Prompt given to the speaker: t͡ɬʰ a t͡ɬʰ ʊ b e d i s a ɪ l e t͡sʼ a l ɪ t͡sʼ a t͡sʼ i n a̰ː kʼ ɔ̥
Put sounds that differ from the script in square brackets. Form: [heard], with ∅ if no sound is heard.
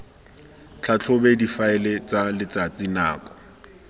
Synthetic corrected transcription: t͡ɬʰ a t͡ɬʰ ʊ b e d i [f] a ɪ l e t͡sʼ a l ɪ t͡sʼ a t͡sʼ i n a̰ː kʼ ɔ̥